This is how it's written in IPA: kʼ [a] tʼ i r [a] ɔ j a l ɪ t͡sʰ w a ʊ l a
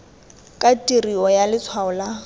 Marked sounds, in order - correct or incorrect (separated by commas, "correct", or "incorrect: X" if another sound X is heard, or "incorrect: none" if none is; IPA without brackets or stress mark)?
correct, incorrect: i